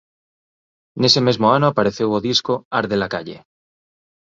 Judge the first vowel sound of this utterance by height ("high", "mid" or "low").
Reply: mid